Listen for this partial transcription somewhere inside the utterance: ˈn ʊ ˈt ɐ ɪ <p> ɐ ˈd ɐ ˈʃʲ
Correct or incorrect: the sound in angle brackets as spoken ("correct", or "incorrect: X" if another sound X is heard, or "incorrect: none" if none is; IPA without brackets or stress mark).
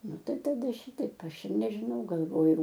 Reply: incorrect: t